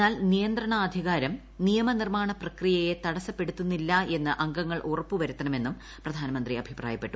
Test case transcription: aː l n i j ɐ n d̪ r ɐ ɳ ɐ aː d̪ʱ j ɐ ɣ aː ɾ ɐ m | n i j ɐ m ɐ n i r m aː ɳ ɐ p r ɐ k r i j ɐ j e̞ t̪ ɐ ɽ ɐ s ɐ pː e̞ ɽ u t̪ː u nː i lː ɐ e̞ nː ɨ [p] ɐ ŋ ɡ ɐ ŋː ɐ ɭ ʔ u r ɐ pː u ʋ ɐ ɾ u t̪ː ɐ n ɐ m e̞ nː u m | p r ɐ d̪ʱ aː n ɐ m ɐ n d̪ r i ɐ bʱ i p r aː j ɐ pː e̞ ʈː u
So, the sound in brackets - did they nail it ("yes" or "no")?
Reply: no